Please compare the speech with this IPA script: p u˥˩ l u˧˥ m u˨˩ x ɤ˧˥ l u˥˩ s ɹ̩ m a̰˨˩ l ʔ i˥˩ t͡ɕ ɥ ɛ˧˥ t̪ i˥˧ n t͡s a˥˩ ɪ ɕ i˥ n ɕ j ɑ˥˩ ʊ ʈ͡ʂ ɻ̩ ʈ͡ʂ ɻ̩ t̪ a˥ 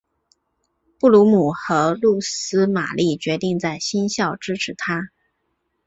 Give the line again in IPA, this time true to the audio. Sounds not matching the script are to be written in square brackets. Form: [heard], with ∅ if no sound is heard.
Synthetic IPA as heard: p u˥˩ l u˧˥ m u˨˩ x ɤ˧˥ l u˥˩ s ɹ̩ m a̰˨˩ l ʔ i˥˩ t͡ɕ ɥ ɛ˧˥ t̪ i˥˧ [ŋ] t͡s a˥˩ ɪ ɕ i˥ n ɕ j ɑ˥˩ ʊ ʈ͡ʂ ɻ̩ [ʈ͡ʂʰ] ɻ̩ [t̪ʰ] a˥